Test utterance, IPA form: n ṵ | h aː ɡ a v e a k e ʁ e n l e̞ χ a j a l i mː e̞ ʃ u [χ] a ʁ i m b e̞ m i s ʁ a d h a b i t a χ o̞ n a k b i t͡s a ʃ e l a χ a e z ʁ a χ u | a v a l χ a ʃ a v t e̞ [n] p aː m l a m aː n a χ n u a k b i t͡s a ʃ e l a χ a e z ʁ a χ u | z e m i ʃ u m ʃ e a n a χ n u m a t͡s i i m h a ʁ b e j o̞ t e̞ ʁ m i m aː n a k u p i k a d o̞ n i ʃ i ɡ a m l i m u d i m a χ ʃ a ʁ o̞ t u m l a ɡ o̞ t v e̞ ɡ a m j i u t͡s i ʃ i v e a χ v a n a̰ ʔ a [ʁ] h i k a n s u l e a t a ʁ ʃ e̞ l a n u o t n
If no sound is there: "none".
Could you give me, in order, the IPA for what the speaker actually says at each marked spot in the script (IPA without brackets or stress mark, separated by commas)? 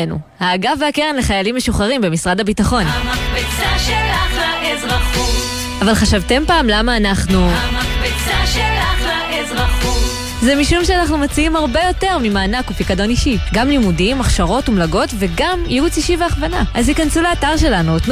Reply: χ, m, z